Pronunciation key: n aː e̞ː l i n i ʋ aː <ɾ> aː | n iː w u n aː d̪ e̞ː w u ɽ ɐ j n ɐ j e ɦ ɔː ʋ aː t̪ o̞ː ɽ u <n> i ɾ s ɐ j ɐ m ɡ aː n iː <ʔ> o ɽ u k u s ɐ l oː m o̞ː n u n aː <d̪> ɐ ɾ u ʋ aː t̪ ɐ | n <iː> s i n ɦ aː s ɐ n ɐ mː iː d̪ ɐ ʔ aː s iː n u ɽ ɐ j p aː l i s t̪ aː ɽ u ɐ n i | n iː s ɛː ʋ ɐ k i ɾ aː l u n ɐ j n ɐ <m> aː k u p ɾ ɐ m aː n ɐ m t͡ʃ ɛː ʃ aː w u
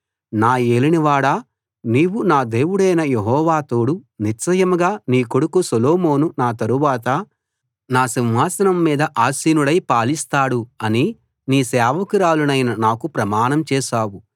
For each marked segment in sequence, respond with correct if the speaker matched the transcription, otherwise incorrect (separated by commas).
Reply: incorrect, correct, incorrect, incorrect, incorrect, incorrect